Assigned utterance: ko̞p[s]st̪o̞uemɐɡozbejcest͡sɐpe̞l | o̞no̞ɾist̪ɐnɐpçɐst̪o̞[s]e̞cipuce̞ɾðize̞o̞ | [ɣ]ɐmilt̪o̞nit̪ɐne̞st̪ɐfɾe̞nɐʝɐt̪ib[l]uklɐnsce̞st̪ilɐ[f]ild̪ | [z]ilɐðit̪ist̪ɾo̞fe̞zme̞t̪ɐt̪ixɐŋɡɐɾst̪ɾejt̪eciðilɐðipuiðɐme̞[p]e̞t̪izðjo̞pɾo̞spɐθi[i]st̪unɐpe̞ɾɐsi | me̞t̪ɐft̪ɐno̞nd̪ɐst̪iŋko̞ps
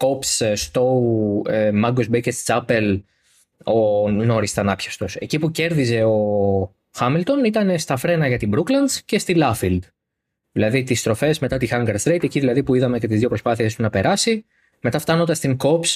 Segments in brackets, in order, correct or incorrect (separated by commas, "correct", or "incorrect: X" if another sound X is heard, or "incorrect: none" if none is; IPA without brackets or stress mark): correct, correct, incorrect: x, incorrect: ɾ, correct, incorrect: ð, incorrect: c, incorrect: e